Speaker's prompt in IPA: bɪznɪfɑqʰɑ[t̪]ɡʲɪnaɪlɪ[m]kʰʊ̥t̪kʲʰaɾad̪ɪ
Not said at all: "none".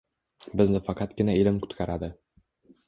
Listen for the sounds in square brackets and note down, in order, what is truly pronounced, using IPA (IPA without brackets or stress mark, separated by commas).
t̪, m